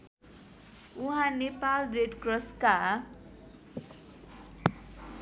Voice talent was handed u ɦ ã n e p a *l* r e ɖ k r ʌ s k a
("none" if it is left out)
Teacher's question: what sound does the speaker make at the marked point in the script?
l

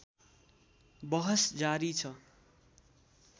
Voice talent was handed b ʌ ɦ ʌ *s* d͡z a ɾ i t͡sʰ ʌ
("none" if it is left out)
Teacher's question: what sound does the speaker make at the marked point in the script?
s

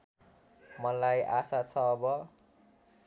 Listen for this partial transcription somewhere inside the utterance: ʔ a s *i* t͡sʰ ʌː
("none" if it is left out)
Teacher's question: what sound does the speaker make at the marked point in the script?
a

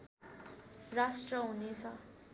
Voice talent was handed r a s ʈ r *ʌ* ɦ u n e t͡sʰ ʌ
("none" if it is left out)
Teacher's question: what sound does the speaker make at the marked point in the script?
ʌ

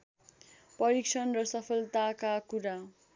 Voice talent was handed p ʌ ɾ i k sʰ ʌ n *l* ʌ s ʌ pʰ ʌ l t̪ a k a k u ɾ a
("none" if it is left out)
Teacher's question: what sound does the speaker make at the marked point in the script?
r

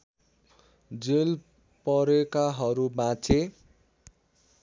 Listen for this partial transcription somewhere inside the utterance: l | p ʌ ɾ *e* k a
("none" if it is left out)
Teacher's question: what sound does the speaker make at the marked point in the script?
e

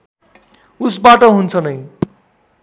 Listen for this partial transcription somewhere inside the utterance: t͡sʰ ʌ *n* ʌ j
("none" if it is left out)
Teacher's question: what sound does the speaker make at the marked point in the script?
n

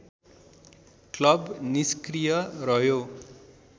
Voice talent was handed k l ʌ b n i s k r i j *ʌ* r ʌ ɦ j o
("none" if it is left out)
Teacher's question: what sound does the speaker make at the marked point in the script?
ʌ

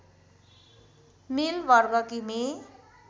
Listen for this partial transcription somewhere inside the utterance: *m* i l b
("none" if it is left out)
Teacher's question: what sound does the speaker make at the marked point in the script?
m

